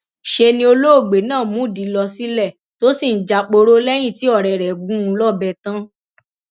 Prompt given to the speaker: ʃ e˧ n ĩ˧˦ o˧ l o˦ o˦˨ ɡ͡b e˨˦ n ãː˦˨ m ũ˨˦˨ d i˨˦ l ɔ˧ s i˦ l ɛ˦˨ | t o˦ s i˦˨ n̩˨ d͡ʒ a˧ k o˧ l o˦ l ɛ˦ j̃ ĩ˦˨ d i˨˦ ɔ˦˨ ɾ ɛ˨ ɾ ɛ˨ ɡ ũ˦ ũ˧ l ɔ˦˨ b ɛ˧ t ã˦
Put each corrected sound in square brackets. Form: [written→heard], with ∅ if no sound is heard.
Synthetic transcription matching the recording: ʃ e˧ n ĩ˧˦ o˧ l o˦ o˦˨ ɡ͡b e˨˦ n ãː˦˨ m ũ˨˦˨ d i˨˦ l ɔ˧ s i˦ l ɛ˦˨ | t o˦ s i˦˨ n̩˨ d͡ʒ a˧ [k→k͡p] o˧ [l→ɾ] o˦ l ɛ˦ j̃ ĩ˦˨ [d→t] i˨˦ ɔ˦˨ ɾ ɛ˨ ɾ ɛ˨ ɡ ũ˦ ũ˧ l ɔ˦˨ b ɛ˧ t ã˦

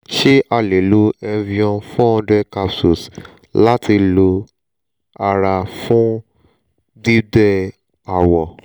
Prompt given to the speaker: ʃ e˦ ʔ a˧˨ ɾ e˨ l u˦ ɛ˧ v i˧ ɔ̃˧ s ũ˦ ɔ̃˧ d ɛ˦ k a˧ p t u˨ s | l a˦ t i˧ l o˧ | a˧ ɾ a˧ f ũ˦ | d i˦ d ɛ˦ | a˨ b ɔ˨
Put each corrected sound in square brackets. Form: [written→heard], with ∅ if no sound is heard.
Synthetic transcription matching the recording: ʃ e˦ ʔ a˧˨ [ɾ→l] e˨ l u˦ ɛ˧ v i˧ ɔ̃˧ [s→f] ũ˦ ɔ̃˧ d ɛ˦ k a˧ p [t→s] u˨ s | l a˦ t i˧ l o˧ | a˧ ɾ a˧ f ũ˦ | d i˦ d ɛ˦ | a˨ [b→w] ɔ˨

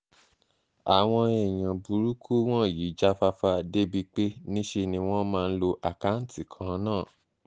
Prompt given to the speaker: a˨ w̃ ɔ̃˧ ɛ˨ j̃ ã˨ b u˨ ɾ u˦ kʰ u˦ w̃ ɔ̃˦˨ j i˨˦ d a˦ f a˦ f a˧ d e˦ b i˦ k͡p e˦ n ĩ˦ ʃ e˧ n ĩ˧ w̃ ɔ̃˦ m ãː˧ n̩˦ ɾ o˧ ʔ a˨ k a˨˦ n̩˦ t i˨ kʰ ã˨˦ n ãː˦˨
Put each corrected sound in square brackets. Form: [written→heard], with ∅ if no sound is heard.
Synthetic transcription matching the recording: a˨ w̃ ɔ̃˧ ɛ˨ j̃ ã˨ b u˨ ɾ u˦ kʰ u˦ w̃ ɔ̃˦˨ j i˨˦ [d→d͡ʒ] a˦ f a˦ f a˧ d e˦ b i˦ k͡p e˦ n ĩ˦ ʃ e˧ n ĩ˧ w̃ ɔ̃˦ m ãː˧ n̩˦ [ɾ→l] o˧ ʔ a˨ k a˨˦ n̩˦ t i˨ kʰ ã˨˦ n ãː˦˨

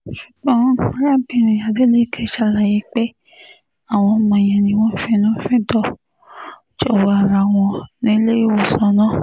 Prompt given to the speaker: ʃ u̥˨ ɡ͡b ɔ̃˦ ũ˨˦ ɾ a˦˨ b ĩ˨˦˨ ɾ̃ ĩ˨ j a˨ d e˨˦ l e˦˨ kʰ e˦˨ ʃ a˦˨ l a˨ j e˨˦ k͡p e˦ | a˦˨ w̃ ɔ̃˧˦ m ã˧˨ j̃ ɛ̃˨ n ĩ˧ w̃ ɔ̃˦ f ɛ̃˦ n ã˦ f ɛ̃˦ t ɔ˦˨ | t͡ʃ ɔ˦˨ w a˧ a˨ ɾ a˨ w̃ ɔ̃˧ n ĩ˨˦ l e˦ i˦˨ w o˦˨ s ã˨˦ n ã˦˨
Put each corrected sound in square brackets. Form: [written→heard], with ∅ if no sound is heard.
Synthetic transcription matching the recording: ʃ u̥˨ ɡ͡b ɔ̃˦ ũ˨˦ ɾ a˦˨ b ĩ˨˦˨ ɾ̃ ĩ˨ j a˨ d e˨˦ l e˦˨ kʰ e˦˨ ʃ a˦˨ l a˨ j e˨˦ k͡p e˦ | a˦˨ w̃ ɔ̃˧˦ m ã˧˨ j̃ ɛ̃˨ n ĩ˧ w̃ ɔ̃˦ f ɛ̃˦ n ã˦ f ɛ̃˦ t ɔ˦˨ | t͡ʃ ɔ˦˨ w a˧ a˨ ɾ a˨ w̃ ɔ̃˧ n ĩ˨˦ l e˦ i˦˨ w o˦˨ s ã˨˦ n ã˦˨

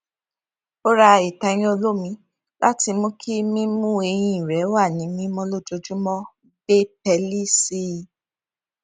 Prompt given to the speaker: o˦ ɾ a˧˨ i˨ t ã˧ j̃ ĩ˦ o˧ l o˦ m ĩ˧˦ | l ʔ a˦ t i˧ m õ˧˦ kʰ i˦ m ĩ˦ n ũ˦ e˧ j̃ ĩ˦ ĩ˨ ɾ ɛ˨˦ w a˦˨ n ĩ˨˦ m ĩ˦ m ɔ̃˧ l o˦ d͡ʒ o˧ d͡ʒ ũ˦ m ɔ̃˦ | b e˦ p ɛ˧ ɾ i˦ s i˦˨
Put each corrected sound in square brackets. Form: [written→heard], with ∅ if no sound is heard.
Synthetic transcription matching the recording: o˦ ɾ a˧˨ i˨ t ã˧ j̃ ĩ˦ o˧ l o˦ m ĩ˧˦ | l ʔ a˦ t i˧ m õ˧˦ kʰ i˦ m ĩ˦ [n→m] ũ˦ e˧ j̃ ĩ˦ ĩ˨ ɾ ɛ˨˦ w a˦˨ n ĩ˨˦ m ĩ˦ m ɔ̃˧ l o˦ d͡ʒ o˧ d͡ʒ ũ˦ m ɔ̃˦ | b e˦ p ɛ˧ [ɾ→l] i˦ s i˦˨

